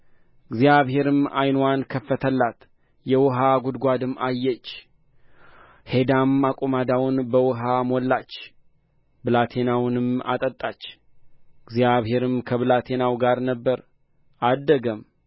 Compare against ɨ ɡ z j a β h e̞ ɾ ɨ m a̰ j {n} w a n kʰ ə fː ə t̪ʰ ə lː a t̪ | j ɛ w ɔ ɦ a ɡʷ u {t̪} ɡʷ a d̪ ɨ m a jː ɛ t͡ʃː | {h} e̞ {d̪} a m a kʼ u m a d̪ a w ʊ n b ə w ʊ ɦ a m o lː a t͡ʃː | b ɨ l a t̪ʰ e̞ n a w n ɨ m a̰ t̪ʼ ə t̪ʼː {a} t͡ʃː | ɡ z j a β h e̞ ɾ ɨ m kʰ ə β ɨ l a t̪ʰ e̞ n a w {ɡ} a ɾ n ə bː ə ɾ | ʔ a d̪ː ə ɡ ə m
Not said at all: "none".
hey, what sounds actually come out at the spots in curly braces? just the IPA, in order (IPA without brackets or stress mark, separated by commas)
n, d̪, h, d̪, a, ɡ